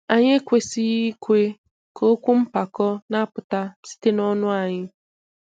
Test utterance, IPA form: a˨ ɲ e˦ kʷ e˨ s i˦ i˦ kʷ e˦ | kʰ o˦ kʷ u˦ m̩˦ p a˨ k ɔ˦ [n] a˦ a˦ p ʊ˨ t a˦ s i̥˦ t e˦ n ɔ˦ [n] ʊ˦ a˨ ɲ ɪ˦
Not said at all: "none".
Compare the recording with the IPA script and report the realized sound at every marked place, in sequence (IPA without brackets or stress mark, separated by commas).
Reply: n, n